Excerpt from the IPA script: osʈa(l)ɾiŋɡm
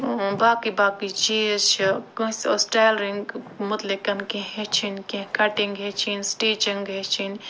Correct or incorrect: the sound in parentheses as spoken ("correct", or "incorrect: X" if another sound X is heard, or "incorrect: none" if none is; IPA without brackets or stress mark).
correct